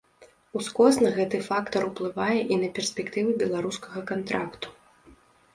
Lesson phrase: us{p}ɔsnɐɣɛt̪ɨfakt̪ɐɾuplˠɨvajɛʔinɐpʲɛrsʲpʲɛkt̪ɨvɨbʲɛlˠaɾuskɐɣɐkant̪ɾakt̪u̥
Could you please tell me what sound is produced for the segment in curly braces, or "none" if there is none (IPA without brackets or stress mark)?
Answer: k